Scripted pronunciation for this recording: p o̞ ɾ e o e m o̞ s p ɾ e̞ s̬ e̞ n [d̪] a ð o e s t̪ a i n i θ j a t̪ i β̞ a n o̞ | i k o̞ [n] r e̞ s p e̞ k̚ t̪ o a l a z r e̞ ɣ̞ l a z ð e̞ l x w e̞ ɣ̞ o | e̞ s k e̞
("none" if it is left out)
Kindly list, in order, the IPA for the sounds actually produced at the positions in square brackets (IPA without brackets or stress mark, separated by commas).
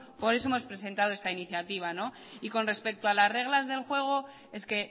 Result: t̪, n